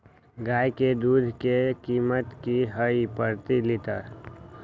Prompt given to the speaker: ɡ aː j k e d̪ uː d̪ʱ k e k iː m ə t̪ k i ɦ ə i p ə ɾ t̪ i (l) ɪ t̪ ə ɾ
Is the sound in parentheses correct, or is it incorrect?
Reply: correct